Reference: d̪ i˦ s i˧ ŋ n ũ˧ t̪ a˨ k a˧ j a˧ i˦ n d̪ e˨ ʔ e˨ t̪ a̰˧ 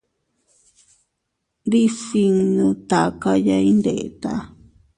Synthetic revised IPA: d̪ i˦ s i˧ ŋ n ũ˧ t̪ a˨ k a˧ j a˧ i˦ n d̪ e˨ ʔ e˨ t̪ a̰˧